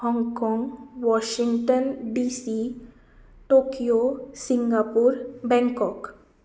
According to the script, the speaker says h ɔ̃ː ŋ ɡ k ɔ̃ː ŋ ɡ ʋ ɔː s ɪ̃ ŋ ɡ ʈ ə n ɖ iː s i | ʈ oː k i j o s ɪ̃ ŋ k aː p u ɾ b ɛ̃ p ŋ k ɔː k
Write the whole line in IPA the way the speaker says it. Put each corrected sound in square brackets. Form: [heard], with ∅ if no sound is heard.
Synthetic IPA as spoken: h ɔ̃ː ŋ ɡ k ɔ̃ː ŋ ɡ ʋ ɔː [ʃ] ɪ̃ ŋ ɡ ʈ ə n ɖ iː s i | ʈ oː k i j o s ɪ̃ ŋ [ɡ] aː p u ɾ b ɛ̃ [∅] ŋ k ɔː k